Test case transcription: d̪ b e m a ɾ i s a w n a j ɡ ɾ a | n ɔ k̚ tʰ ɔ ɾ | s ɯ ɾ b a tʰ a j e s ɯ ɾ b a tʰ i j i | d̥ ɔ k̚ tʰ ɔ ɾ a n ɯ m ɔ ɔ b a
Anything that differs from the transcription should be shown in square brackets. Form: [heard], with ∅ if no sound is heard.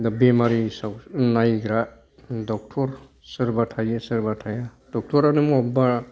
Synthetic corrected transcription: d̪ b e m a ɾ i s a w n a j ɡ ɾ a | [d] ɔ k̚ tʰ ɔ ɾ | s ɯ ɾ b a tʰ a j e s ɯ ɾ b a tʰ [a] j [a] | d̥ ɔ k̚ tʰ ɔ ɾ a n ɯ m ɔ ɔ b a

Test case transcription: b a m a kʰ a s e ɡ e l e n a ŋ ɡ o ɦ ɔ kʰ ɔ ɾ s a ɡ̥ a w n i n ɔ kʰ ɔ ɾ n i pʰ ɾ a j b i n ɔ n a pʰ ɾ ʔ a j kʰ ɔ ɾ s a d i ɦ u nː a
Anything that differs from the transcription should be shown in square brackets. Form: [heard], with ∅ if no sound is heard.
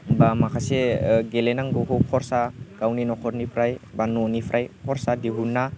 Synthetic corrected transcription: b a m a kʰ a s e ɡ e l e n a ŋ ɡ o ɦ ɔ kʰ ɔ ɾ s a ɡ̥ a w n i n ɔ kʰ ɔ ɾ n i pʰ ɾ a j b [a] n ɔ n [i] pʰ ɾ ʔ a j kʰ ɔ ɾ s a d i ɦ u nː a

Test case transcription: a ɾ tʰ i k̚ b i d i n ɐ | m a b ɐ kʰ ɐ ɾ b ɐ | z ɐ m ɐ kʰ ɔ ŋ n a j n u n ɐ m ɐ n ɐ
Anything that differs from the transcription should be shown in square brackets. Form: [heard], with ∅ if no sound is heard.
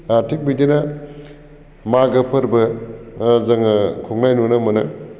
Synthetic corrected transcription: a ɾ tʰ i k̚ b i d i n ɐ | m a [ɡ] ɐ [pʰ] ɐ ɾ b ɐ | z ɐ [ŋ] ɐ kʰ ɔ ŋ n a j n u n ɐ m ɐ n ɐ

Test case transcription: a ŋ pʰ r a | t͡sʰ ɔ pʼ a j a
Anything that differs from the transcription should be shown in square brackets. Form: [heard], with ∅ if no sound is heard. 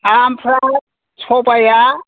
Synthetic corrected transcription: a [m] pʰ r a | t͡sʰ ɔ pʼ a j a

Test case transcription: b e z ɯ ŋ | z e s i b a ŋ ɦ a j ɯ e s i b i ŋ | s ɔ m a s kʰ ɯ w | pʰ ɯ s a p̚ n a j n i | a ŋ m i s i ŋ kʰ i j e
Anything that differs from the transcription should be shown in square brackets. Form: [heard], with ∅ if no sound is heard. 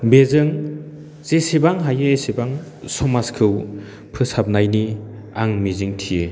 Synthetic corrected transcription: b e z ɯ ŋ | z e s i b a ŋ ɦ a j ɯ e s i b [a] ŋ | s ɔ m a s kʰ ɯ w | pʰ ɯ s a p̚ n a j n i | a ŋ m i [z] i ŋ [tʰ] i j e

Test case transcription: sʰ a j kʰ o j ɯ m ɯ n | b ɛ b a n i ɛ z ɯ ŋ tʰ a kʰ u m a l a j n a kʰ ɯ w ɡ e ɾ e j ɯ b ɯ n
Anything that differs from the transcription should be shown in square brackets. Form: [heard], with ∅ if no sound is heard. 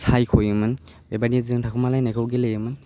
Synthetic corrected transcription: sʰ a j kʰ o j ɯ m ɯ n | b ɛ b a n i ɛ z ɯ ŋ tʰ a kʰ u m a l a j n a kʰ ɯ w ɡ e [l] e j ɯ [m] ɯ n

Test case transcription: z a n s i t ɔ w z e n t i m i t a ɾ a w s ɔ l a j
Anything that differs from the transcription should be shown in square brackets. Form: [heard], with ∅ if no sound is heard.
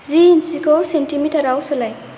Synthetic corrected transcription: z [i] n s i [k] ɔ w [s] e n t i m i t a ɾ a w s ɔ l a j

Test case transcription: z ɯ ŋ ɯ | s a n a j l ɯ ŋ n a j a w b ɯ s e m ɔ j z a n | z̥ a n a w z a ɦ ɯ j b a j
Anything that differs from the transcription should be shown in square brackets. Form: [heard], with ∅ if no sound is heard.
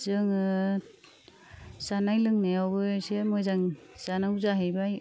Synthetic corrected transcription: z ɯ ŋ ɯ | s a n a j l ɯ ŋ n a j a w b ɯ s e m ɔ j z a [ŋ] | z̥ a n a w z a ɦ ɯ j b a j

